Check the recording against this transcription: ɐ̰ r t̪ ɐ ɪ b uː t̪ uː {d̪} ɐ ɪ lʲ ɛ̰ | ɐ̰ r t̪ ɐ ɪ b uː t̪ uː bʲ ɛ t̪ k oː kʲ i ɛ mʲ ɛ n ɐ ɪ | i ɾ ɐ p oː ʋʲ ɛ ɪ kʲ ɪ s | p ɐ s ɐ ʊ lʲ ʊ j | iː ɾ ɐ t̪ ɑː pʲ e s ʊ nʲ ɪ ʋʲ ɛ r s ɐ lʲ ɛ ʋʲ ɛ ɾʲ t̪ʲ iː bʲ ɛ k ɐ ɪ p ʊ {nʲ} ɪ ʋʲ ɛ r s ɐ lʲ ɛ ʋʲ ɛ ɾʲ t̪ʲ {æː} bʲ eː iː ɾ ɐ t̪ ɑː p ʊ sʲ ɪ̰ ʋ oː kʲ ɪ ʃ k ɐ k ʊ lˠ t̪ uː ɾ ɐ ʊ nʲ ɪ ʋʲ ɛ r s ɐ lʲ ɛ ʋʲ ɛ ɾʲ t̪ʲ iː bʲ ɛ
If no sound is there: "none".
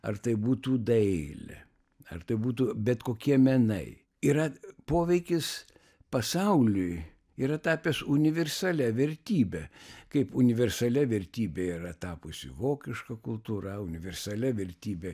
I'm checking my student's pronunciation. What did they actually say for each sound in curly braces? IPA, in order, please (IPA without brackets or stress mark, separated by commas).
d̪, nʲ, iː